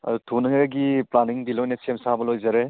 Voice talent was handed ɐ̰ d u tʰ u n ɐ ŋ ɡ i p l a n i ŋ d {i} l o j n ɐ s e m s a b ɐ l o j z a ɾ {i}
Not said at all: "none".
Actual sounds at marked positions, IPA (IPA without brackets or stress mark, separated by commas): i, e